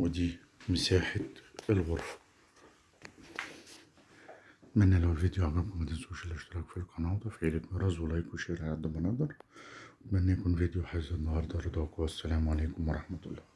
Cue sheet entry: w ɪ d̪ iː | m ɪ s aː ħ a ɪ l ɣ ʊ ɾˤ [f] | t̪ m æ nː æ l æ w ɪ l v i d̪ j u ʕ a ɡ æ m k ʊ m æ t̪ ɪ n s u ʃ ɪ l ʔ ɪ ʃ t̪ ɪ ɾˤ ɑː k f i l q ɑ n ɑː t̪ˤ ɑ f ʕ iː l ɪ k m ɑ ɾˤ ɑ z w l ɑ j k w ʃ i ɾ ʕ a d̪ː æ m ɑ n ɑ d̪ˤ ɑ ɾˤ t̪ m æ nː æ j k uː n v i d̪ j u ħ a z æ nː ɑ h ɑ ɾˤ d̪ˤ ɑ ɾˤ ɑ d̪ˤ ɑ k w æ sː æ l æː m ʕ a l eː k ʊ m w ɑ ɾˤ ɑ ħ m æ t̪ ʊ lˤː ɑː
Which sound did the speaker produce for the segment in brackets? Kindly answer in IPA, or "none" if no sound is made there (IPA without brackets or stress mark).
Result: f